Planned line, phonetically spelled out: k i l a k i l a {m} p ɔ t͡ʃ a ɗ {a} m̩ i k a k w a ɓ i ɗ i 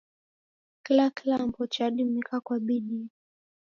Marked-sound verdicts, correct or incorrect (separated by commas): correct, incorrect